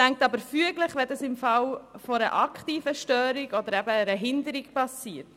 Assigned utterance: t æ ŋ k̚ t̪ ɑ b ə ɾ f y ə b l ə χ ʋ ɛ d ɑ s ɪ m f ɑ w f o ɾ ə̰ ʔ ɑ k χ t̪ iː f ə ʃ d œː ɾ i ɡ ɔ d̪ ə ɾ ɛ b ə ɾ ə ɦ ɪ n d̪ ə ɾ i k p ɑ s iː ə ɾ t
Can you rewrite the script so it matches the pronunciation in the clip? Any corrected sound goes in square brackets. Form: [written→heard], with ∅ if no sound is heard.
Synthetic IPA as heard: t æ ŋ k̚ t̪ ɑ b ə ɾ f y ə [b→ɡ] l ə χ ʋ ɛ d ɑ s ɪ m f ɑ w f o ɾ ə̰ ʔ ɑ k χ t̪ iː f ə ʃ [d→t] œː ɾ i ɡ ɔ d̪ ə ɾ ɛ b ə ɾ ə ɦ ɪ n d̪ ə ɾ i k p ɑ s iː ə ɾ t